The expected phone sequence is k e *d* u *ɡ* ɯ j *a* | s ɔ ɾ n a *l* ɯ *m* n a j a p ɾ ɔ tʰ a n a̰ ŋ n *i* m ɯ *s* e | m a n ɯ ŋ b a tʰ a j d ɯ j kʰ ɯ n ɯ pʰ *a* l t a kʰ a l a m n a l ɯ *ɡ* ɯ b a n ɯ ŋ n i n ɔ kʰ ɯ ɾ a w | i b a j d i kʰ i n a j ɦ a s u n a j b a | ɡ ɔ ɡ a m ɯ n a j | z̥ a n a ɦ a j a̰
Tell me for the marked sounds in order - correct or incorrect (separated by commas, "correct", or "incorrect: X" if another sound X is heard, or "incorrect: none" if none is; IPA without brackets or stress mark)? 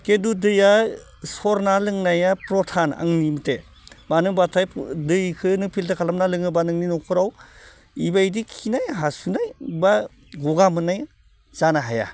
correct, incorrect: d, correct, correct, incorrect: ŋ, correct, incorrect: t, incorrect: i, incorrect: ŋ